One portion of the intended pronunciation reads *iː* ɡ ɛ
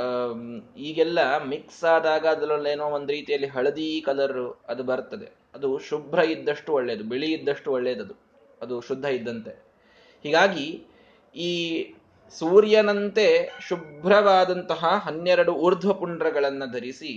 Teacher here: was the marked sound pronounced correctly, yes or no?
yes